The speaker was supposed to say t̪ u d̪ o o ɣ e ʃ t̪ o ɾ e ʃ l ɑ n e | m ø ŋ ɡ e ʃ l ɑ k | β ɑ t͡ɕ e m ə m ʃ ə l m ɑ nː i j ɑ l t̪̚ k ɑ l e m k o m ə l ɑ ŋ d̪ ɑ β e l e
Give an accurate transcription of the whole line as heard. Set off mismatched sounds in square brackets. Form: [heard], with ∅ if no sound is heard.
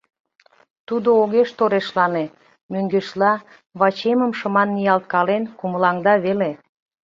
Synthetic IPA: t̪ u d̪ o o ɣ e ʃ t̪ o ɾ e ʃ l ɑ n e | m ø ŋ ɡ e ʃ l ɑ [∅] | β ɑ t͡ɕ e m ə m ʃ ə [∅] m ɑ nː i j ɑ l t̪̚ k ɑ l e [n] k [u] m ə l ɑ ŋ d̪ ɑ β e l e